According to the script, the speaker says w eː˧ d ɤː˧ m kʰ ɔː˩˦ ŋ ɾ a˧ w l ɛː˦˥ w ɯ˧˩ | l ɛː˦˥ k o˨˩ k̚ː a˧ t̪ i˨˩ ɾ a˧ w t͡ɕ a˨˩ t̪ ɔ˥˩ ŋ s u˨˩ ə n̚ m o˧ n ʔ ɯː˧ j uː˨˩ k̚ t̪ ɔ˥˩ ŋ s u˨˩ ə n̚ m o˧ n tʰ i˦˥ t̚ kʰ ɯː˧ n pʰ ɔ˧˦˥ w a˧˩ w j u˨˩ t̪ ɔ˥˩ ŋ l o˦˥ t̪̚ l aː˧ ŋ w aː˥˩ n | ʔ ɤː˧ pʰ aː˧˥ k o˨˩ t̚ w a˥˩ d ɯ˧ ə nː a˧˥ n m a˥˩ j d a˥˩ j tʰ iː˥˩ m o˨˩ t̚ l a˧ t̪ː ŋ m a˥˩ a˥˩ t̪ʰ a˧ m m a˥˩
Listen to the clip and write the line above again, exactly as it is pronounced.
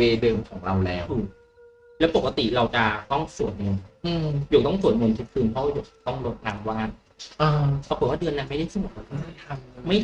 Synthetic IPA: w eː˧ d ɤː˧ m kʰ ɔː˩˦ ŋ ɾ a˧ w l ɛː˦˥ w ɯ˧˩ | l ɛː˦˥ p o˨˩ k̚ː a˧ t̪ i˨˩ ɾ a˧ w t͡ɕ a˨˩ t̪ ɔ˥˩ ŋ s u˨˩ ə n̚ ŋ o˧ n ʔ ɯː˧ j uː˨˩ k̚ t̪ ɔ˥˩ ŋ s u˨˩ ə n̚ ŋ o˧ n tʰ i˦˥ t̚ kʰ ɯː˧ n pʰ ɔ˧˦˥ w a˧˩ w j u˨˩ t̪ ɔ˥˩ ŋ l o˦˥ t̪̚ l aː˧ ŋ w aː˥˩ n | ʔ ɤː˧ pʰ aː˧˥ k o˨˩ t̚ w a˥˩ d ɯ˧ ə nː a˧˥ n m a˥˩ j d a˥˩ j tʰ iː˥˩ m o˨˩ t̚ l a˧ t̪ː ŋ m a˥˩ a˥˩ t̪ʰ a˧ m m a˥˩